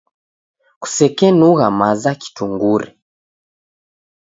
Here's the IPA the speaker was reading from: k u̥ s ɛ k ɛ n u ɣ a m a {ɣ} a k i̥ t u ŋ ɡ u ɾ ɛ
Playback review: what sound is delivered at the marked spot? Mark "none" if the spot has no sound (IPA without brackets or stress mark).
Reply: z